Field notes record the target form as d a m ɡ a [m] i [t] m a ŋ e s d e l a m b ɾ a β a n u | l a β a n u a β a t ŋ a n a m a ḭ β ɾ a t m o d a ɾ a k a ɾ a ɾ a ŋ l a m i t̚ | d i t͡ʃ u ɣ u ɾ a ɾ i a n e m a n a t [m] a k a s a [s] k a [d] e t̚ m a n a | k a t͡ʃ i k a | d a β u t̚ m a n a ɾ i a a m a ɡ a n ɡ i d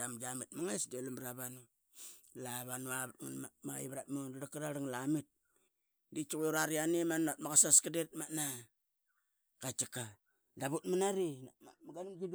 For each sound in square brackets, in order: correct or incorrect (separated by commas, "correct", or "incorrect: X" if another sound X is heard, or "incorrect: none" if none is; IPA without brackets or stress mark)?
correct, correct, correct, correct, correct